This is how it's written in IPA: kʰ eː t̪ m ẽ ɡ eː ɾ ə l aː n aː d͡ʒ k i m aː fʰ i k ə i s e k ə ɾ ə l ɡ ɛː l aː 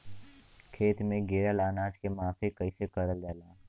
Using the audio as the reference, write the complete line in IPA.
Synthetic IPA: kʰ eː t̪ m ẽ ɡ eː ɾ ə l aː n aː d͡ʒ k e m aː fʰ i k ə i s e k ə ɾ ə l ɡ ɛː l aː